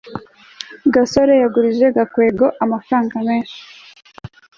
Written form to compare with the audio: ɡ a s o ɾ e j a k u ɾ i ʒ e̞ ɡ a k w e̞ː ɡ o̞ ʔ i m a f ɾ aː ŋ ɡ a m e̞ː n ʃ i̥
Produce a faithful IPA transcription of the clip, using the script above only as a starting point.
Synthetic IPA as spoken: ɡ a s o ɾ e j a ɡ u ɾ i ʒ e̞ ɡ a k w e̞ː ɡ o̞ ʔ a m a f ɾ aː ŋ ɡ a m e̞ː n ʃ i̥